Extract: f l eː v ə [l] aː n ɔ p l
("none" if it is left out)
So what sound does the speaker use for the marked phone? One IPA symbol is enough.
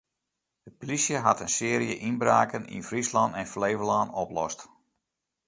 l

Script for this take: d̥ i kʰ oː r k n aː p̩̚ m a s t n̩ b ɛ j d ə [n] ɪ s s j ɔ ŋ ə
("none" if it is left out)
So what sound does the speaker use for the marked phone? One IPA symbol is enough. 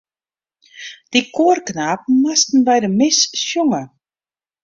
m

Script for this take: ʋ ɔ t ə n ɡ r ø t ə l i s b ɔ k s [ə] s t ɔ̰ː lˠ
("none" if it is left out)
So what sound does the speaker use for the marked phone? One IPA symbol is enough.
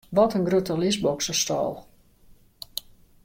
ə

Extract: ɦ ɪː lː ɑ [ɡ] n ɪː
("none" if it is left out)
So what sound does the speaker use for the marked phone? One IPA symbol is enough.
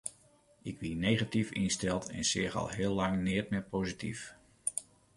ŋ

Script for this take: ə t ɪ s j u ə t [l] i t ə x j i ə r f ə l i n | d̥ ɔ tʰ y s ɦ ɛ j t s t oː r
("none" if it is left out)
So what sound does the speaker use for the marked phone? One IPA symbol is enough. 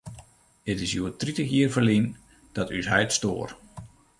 r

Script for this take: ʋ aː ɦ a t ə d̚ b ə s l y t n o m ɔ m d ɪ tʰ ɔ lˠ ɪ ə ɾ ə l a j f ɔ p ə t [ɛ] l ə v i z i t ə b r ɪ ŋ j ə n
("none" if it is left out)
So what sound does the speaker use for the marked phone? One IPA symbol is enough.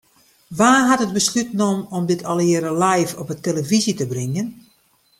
e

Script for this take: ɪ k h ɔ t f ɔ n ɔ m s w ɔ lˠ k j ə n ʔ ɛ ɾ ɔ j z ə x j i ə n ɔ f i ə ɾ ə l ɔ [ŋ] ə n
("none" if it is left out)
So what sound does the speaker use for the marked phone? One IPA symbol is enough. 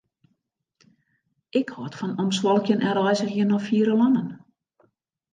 n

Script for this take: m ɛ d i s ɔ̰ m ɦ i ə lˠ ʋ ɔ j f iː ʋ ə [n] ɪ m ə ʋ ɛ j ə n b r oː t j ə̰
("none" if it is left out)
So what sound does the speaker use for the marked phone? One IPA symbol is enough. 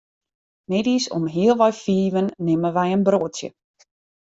nː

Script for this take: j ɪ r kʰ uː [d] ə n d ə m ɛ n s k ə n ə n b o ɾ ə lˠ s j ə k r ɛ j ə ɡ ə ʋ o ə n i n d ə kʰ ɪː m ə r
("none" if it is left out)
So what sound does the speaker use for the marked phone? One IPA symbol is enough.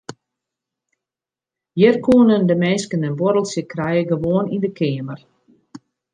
n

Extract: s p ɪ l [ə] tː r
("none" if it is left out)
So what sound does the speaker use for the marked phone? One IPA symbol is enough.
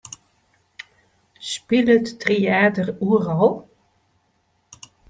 ə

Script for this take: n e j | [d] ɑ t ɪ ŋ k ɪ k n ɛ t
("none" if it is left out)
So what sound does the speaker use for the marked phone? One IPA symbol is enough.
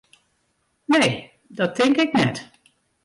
d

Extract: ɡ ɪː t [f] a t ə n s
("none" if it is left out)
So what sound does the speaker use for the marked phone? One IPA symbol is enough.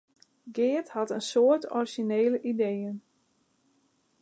h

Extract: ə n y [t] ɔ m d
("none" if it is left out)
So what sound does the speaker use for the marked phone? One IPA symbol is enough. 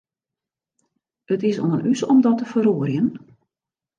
s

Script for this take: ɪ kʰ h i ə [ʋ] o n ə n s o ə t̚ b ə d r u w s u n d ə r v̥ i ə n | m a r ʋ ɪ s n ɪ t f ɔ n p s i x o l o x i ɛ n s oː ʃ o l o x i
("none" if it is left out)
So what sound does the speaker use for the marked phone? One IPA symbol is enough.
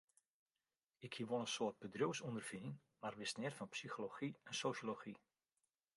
ʋ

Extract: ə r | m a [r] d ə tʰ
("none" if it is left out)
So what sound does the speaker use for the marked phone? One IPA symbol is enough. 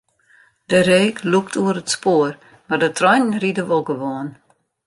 r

